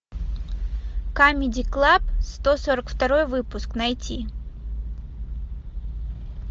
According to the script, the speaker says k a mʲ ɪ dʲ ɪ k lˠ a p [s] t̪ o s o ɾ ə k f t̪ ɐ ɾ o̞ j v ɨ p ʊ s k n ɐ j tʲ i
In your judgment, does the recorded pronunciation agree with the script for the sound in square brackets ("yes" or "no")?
yes